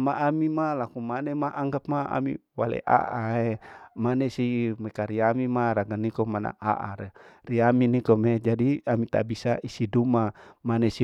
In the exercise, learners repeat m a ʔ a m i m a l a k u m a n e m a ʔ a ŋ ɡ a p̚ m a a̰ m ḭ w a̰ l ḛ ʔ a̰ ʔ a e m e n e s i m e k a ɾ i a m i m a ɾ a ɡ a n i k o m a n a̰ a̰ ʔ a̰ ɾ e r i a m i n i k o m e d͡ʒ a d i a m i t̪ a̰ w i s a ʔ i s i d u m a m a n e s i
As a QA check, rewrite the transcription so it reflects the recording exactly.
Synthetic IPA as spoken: m a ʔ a m i m a l a k u m a n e m a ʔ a ŋ ɡ a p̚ m a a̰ m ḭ w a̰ l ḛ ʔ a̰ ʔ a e m a n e s i m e k a ɾ i a m i m a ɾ a ɡ a n i k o m a n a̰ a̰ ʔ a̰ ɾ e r i a m i n i k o m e d͡ʒ a d i a m i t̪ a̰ b i s a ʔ i s i d u m a m a n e s i